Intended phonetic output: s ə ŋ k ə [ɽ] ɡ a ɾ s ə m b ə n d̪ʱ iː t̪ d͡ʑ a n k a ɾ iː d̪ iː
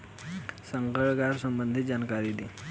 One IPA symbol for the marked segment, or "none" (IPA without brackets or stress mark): ɭ